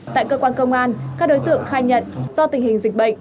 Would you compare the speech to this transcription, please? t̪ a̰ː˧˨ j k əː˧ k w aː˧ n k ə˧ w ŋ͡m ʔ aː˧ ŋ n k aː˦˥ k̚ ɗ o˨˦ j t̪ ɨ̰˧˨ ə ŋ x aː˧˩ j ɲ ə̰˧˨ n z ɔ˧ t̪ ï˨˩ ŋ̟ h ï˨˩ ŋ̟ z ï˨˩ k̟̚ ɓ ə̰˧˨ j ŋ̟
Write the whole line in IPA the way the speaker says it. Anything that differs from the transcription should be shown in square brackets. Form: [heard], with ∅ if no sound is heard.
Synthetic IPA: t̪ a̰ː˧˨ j k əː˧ k w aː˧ n k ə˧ w ŋ͡m ʔ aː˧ [∅] n k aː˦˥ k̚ ɗ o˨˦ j t̪ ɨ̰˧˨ ə ŋ x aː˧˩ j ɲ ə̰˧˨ n z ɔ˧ t̪ ï˨˩ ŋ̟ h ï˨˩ ŋ̟ z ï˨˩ k̟̚ ɓ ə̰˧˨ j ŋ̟